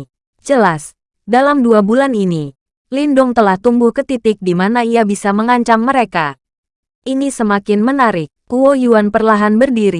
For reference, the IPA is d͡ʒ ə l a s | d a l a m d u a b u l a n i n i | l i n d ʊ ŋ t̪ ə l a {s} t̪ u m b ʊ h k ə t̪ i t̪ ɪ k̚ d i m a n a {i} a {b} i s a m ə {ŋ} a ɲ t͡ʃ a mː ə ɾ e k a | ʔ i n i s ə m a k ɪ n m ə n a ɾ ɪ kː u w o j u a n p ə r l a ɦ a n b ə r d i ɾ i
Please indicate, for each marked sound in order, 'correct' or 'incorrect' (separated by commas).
incorrect, correct, correct, correct